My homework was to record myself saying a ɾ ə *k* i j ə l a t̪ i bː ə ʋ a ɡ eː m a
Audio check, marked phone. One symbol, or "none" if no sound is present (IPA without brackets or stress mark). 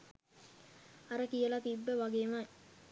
k